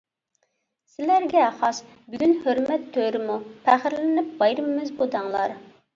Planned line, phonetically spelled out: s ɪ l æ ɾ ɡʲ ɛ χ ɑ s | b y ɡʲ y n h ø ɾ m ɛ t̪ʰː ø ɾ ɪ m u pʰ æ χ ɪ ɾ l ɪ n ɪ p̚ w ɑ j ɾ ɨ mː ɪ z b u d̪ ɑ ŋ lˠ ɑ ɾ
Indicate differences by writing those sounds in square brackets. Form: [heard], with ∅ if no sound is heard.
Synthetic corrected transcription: s ɪ l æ ɾ ɡʲ ɛ χ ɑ s | b y ɡʲ y n h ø ɾ m ɛ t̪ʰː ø ɾ ɪ m u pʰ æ χ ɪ ɾ l ɪ n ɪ p̚ [b] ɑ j ɾ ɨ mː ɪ z b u d̪ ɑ ŋ lˠ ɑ ɾ